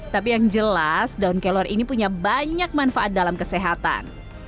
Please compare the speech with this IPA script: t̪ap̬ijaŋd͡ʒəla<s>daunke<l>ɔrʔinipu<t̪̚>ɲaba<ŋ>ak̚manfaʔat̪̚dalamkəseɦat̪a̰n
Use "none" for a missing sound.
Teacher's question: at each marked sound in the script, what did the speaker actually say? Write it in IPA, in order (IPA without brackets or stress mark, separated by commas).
s, l, none, ɲ